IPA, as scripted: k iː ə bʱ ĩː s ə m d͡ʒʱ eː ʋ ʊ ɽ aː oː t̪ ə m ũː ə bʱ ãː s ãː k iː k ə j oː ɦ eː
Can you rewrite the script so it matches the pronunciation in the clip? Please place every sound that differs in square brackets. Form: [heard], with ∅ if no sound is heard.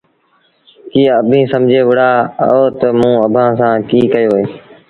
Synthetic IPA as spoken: k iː ə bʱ ĩː s ə m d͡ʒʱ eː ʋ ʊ ɽ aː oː t̪ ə m ũː ə bʱ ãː s ãː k iː k ə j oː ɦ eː